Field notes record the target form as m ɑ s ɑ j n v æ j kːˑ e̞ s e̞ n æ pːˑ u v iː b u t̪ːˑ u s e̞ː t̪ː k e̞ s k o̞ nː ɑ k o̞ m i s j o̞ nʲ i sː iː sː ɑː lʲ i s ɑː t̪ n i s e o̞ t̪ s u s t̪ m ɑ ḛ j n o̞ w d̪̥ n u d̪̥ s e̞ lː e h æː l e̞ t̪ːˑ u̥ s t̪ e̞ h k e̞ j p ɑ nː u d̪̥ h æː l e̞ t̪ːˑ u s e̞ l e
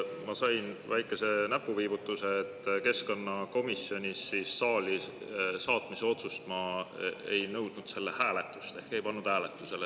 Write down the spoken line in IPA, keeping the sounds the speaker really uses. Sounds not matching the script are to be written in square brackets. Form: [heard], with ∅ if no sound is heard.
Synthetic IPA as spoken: m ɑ s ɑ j n v æ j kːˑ e̞ s e̞ n æ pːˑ u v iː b u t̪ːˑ u s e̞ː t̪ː k e̞ s k o̞ nː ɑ k o̞ m i s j o̞ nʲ i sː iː sː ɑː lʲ i s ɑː t̪ [m] i s e o̞ t̪ s u s t̪ m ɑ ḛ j n [ɤ̞] w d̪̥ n u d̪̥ s e̞ lː e h æː l e̞ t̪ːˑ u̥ s t̪ e̞ h k e̞ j p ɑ nː u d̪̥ h æː l e̞ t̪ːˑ u s e̞ l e